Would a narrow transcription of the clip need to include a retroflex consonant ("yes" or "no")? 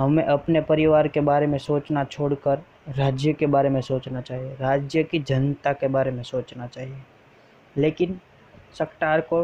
yes